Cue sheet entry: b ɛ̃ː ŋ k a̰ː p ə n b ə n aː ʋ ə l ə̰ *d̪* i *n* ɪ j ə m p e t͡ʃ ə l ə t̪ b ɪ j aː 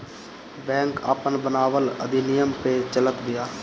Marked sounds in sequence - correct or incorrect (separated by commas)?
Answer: correct, correct